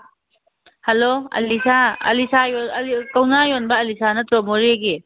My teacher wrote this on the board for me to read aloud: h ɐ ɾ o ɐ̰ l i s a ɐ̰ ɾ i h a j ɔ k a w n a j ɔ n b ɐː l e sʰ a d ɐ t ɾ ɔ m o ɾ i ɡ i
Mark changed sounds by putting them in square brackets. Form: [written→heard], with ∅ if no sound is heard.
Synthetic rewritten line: h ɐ [ɾ→l] o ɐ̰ l i s a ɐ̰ [ɾ→l] i [h→s] a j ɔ k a w n a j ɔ n b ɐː l [e→i] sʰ a [d→n] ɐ t ɾ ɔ m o ɾ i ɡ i